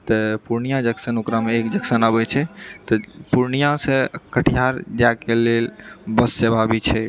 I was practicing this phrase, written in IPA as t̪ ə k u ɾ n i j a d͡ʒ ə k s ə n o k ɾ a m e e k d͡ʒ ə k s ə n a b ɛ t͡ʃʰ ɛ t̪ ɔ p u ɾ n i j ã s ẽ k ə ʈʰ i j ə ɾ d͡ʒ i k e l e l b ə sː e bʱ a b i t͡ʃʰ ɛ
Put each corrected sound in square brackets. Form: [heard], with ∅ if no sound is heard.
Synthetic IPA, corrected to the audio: t̪ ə [p] u ɾ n i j a d͡ʒ ə k s ə n o k ɾ a m e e k d͡ʒ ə k s ə n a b ɛ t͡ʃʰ ɛ t̪ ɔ p u ɾ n i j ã s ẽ k ə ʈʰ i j [a] ɾ d͡ʒ [a] k e l e l b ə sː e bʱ a b i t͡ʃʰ ɛ